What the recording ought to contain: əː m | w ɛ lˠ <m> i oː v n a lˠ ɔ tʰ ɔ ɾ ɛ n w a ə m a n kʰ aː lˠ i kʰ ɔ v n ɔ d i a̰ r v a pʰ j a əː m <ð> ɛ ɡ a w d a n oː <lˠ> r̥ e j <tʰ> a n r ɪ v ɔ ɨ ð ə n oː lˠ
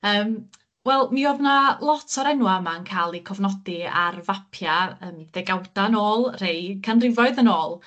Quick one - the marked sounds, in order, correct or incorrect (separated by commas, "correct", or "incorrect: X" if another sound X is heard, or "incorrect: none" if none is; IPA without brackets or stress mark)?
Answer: correct, correct, correct, incorrect: kʰ